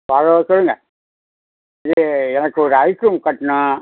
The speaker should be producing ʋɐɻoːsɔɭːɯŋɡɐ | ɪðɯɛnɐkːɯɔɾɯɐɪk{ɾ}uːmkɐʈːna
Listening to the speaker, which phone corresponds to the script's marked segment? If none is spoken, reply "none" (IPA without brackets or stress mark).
ɾ